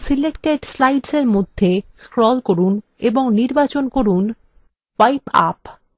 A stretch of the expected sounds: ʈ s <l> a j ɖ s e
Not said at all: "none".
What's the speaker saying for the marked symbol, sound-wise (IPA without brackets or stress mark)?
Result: l